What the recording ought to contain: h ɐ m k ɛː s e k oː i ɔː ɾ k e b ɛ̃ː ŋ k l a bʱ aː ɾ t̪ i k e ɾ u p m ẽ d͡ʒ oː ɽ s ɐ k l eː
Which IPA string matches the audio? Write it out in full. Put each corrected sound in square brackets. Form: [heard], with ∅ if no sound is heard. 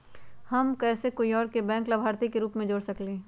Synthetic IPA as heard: h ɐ m k ɛː s e k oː i ɔː ɾ k e b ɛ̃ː ŋ k l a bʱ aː ɾ t̪ i k e ɾ [uː] p m ẽ d͡ʒ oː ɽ s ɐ k l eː